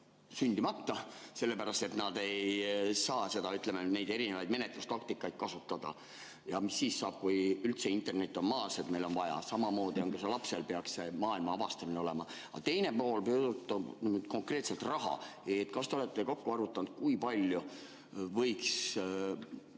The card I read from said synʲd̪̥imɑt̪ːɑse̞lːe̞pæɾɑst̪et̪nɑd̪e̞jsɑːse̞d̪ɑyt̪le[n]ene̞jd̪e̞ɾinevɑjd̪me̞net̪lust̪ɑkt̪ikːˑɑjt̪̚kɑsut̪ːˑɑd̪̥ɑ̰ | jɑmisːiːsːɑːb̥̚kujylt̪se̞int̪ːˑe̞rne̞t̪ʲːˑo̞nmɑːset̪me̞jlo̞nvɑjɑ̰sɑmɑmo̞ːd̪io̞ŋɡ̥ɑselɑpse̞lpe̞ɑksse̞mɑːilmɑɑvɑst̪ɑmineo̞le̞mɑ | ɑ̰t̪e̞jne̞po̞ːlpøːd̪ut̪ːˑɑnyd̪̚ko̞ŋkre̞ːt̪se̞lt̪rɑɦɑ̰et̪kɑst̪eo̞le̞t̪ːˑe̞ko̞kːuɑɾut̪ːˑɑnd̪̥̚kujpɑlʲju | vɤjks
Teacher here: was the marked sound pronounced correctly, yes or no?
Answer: no